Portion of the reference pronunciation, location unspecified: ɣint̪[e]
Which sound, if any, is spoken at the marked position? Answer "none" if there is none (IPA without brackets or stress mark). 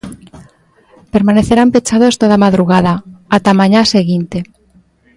e